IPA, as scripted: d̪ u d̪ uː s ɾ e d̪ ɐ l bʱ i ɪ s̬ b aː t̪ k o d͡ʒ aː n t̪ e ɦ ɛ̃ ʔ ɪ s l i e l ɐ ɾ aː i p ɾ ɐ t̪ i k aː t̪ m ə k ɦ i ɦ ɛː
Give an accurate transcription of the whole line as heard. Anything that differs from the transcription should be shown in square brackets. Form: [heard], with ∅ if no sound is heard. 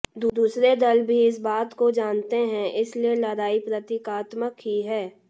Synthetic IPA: d̪ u d̪ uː s ɾ e d̪ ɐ l bʱ i ɪ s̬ b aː t̪ k o d͡ʒ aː n t̪ e ɦ ɛ̃ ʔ ɪ s l i e l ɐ ɾ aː i p ɾ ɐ t̪ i k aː t̪ m ə k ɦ i ɦ ɛː

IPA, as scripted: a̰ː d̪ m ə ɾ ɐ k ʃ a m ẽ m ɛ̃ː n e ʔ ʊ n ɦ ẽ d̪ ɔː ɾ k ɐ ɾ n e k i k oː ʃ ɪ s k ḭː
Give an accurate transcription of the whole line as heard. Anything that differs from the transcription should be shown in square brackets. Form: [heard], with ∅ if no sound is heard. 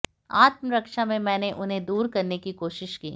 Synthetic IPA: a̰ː [t̪] m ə ɾ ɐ k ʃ a m ẽ m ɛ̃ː n e ʔ ʊ n ɦ ẽ d̪ [uː] ɾ k ɐ ɾ n e k i k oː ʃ ɪ [ʃ] k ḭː

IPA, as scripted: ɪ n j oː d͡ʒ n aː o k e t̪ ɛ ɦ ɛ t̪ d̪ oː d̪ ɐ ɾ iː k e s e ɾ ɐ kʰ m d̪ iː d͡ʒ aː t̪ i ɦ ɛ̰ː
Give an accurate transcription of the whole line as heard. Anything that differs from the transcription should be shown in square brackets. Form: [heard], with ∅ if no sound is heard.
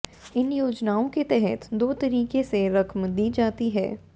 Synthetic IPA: ɪ n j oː d͡ʒ n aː [õ] k e t̪ ɛ ɦ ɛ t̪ d̪ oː [t̪] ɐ ɾ iː k e s e ɾ ɐ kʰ m d̪ iː d͡ʒ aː t̪ i ɦ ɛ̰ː

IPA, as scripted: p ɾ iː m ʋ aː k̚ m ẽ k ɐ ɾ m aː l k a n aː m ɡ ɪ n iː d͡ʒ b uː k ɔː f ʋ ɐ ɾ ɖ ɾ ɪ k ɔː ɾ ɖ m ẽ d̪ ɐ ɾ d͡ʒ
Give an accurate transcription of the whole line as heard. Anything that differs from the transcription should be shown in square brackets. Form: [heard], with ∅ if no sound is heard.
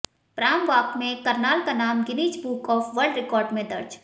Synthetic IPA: p ɾ [aː] m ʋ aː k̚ m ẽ k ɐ ɾ [n] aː l k a n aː m ɡ ɪ n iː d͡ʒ b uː k ɔː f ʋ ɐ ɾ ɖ ɾ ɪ k ɔː ɾ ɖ m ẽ d̪ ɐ ɾ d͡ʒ

